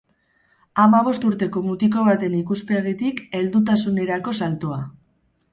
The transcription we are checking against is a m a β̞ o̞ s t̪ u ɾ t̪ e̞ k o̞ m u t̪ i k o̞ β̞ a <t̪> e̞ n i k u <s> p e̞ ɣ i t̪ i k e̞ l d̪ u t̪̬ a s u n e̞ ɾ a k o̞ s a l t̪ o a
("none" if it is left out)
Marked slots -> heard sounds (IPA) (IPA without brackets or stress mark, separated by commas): t̪, s